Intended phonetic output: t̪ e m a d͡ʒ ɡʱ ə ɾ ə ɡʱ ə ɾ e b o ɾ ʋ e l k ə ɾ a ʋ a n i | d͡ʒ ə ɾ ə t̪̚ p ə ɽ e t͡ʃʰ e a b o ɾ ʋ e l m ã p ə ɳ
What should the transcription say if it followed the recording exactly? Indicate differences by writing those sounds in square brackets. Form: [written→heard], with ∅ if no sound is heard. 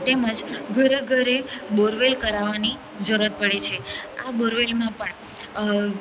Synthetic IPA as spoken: t̪ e m [a→ə] d͡ʒ ɡʱ ə ɾ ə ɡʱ ə ɾ e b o ɾ ʋ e l k ə ɾ a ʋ a n i | d͡ʒ ə ɾ ə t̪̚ p ə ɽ e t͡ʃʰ e a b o ɾ ʋ e l m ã p ə ɳ